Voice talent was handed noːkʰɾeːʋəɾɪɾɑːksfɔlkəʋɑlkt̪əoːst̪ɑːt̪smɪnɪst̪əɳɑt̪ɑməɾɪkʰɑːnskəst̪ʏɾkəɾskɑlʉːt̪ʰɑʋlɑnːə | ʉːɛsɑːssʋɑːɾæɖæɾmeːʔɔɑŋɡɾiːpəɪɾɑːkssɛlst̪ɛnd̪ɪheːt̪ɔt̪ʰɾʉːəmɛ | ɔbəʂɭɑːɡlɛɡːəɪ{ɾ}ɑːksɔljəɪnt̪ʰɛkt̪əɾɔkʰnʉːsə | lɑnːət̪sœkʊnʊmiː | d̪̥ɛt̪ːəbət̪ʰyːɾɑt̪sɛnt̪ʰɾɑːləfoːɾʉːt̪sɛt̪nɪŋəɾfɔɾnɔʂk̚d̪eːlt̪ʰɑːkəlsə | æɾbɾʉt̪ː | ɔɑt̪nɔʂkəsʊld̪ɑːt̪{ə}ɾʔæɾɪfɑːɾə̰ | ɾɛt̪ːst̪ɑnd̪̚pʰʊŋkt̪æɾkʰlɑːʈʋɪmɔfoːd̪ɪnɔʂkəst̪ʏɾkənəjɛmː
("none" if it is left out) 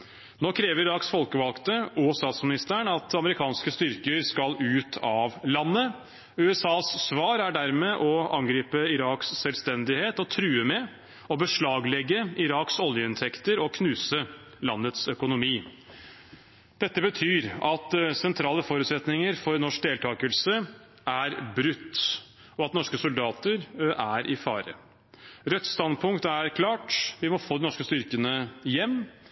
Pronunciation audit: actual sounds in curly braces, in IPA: ɾ, ə

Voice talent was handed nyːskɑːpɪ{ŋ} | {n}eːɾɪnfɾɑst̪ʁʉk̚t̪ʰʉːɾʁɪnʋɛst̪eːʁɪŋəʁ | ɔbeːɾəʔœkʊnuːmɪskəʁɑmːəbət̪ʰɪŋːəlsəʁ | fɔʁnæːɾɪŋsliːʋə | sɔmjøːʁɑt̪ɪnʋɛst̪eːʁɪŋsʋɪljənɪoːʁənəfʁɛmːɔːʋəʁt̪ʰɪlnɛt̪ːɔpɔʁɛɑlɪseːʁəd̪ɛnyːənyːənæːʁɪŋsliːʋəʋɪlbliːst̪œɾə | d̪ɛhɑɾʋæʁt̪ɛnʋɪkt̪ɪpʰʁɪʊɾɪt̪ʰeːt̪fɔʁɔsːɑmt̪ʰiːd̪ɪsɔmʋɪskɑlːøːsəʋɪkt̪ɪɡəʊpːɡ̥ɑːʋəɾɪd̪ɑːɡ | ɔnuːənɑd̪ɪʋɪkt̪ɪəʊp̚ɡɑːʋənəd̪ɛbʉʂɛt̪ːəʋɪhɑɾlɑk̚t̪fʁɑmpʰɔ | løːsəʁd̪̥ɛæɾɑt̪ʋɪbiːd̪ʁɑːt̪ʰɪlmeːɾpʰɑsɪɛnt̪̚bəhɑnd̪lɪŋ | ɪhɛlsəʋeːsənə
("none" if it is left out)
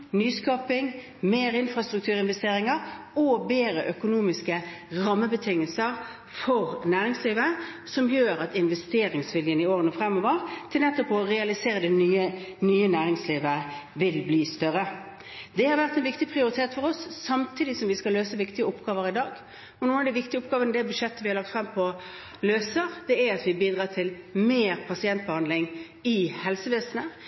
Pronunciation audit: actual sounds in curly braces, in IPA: ŋ, m

